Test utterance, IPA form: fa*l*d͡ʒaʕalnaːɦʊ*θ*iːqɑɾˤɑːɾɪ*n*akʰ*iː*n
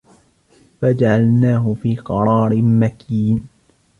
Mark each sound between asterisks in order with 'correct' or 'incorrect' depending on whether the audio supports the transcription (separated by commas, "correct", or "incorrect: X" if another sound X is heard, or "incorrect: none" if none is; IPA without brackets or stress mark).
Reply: incorrect: none, incorrect: f, incorrect: m, correct